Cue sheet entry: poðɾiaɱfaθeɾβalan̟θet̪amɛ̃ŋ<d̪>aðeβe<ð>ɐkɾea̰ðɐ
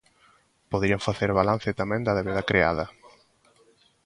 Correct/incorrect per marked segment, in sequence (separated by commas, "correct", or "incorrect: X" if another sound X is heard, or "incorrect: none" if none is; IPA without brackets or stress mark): correct, correct